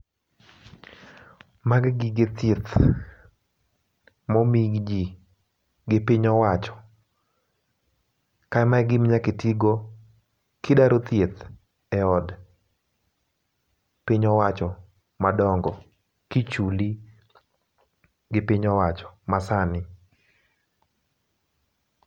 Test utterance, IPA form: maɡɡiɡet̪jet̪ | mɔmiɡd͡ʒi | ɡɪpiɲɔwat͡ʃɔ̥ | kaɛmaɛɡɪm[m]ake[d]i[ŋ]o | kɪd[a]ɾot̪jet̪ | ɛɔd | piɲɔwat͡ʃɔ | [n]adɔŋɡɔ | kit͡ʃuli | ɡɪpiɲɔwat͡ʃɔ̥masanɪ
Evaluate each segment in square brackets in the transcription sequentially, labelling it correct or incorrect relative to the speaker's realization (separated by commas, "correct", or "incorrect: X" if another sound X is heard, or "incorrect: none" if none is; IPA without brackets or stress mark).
incorrect: ɲ, incorrect: t, incorrect: ɡ, correct, incorrect: m